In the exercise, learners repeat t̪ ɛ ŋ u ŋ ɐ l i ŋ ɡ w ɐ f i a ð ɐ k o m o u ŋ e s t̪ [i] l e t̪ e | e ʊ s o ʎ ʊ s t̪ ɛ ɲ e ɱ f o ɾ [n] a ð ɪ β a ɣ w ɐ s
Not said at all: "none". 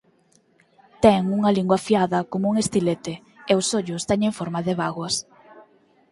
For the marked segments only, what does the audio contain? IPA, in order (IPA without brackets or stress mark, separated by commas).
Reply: i, m